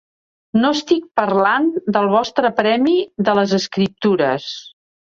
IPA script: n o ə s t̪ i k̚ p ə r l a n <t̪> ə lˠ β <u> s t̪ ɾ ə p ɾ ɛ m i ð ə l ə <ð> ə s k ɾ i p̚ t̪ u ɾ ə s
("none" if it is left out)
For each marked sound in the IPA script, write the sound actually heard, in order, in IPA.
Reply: d̪, ɔ, z

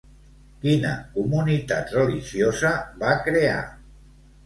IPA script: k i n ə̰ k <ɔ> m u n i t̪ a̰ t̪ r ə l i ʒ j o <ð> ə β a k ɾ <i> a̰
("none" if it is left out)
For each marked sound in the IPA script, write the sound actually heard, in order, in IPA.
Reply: u, z, e

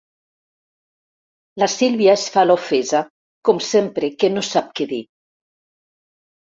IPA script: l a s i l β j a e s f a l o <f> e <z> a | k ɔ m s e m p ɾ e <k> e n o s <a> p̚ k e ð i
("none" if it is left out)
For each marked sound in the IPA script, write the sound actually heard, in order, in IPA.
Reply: f, z, k, a

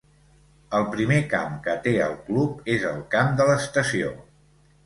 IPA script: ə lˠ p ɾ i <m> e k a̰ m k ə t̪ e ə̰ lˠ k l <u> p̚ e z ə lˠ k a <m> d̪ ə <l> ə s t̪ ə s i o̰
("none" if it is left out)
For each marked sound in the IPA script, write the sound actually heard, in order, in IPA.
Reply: m, u, m, l

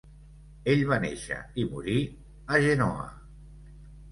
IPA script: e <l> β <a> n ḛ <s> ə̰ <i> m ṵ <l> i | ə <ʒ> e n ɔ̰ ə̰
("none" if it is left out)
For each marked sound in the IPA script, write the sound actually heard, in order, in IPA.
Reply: ʎ, a, ʃ, i, ɾ, ʒ

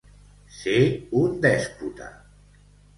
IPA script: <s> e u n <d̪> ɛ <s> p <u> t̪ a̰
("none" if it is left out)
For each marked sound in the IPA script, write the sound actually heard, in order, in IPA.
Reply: s, d̪, s, u

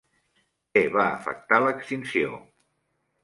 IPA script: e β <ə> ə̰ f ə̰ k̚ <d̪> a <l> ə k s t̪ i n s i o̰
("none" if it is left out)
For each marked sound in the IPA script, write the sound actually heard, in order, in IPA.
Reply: a, t̪, l

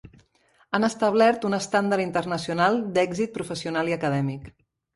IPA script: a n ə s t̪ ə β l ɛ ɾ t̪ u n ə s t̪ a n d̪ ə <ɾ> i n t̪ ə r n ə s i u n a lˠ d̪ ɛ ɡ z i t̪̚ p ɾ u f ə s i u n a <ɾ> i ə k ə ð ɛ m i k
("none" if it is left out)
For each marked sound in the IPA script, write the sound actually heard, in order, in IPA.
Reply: ɾ, l

